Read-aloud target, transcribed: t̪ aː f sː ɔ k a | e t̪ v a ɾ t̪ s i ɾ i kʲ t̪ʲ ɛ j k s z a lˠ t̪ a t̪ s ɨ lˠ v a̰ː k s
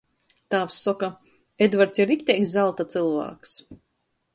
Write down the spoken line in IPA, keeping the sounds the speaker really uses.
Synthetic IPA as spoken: t̪ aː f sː ɔ k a | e d̪ v a ɾ t̪ s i ɾ i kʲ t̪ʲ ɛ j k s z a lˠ t̪ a t̪ s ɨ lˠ v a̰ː k s